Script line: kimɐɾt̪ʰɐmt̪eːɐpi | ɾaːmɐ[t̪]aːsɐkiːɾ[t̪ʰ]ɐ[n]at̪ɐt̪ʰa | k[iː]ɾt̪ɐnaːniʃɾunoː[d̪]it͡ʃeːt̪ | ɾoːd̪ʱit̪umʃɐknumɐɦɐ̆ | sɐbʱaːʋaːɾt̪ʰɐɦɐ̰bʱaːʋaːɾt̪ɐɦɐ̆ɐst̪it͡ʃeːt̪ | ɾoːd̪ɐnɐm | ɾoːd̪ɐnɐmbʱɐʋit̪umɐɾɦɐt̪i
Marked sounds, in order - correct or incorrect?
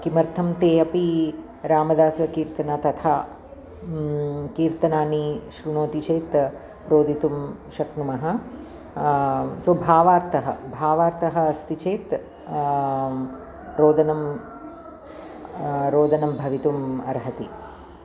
incorrect, incorrect, correct, correct, incorrect

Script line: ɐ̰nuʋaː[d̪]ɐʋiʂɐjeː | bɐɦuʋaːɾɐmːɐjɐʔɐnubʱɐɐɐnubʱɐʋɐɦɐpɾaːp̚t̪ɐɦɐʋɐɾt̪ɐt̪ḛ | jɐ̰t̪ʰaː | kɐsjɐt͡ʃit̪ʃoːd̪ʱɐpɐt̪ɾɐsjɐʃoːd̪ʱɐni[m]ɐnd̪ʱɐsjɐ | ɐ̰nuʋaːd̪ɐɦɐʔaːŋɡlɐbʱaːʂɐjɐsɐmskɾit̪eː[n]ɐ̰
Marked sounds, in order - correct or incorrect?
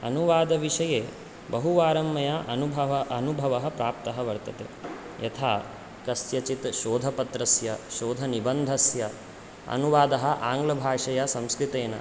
correct, incorrect, correct

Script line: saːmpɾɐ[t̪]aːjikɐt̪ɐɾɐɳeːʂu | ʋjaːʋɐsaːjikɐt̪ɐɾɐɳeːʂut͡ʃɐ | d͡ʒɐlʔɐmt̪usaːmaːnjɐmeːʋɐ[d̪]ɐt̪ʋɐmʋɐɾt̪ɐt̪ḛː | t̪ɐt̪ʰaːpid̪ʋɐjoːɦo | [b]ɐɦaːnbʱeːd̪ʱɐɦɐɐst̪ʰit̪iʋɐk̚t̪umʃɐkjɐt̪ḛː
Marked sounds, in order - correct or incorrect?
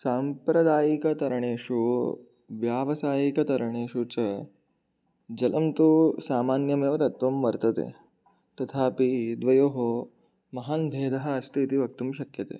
incorrect, incorrect, incorrect

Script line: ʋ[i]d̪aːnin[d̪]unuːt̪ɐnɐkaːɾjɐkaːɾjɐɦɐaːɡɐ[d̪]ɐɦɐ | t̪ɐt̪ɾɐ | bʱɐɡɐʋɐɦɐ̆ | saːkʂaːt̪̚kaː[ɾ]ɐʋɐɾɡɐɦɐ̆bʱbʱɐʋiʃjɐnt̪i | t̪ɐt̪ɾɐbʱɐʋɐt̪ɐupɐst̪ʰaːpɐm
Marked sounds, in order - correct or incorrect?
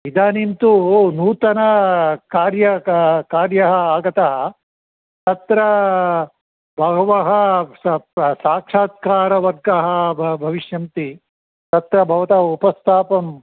correct, incorrect, incorrect, correct

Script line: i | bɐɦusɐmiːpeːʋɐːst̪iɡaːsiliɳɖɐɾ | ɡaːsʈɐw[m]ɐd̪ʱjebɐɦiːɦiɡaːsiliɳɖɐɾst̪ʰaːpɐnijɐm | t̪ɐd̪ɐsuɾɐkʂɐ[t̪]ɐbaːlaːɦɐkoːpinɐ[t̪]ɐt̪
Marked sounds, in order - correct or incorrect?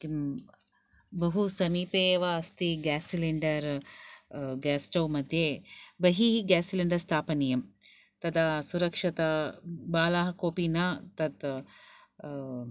correct, correct, correct

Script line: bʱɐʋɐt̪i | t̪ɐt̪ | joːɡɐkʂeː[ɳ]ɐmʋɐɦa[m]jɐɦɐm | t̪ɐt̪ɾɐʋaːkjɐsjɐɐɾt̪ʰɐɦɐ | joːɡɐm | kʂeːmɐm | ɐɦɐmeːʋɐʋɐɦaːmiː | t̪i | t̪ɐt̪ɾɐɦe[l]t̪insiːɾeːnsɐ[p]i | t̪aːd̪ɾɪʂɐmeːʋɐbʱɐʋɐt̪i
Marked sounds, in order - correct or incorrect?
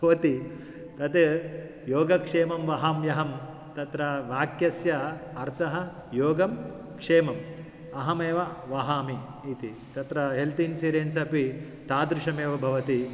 incorrect, correct, correct, correct

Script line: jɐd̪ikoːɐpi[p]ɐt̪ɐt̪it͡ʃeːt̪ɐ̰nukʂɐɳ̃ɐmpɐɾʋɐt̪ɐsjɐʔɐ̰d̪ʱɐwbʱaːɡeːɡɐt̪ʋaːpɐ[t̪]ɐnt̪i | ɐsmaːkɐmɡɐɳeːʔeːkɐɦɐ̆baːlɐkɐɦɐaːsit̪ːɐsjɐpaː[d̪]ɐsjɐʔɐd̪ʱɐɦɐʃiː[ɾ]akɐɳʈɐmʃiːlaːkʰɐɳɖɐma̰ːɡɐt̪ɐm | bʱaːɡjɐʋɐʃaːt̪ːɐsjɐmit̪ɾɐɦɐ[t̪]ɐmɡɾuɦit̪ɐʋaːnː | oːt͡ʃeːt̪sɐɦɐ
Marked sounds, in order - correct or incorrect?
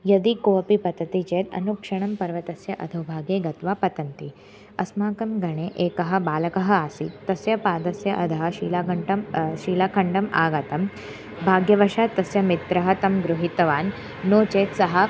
correct, correct, correct, incorrect, correct

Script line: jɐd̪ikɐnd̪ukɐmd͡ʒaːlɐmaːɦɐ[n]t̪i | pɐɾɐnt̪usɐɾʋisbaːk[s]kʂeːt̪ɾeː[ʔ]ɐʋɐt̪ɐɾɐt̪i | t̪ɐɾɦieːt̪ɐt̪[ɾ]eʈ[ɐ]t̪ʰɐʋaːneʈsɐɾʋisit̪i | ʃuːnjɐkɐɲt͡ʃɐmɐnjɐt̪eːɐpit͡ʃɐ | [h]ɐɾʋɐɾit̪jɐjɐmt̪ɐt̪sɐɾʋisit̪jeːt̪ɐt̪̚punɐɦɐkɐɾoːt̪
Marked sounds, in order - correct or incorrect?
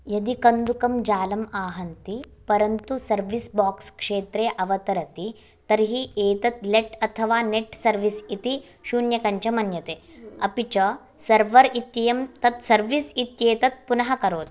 correct, correct, correct, incorrect, correct, incorrect

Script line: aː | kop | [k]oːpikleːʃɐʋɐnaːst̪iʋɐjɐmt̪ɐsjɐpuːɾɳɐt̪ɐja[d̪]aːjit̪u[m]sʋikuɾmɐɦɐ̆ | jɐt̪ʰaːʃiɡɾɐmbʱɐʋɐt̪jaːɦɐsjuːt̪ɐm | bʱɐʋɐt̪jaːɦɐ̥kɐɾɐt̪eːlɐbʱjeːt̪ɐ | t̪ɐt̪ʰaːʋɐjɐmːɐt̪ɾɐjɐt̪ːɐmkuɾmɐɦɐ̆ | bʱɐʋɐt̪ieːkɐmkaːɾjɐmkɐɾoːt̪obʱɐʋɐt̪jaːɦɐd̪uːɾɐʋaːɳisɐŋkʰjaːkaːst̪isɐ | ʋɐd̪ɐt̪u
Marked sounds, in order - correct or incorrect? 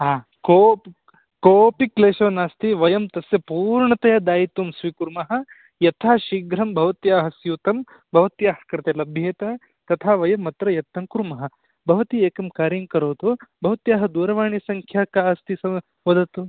correct, correct, correct

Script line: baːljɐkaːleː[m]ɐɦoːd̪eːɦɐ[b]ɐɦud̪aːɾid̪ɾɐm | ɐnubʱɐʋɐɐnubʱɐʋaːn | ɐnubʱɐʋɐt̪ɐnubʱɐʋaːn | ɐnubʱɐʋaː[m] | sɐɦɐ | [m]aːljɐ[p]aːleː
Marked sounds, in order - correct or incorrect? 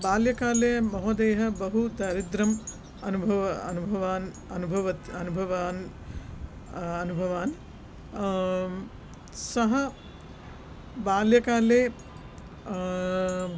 correct, correct, incorrect, incorrect, incorrect

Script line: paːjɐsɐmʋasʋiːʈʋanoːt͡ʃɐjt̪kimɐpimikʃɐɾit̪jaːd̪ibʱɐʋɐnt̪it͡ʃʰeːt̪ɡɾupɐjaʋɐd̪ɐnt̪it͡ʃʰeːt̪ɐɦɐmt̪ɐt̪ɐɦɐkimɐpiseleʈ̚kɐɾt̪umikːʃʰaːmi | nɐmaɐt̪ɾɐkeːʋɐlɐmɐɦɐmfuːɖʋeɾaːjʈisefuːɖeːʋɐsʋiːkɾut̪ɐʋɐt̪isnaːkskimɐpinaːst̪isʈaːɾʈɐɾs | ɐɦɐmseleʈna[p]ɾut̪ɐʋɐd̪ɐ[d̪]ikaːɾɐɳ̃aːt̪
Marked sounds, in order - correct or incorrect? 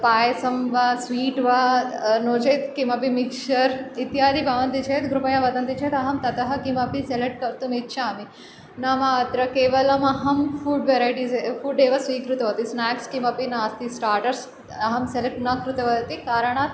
incorrect, incorrect

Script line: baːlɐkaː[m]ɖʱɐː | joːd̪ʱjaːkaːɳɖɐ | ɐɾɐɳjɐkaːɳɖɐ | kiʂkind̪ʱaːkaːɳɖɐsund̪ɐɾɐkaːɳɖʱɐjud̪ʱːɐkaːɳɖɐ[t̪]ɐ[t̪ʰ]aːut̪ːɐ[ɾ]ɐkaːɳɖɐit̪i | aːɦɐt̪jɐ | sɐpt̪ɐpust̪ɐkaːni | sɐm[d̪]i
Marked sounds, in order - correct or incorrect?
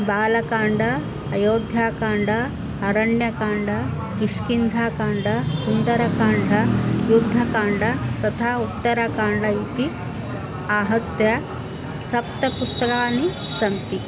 incorrect, correct, correct, correct, incorrect

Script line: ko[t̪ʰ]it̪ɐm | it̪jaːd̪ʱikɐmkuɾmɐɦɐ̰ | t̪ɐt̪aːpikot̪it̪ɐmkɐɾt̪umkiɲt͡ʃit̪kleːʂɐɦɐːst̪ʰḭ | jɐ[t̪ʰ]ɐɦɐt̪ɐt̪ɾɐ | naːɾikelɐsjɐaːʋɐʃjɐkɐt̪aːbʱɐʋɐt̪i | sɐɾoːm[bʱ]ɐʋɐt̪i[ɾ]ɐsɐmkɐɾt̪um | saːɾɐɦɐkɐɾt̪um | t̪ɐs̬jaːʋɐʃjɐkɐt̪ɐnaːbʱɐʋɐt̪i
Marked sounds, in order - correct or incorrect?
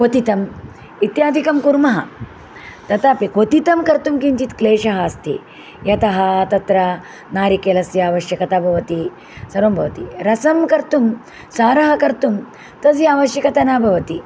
incorrect, incorrect, correct, correct

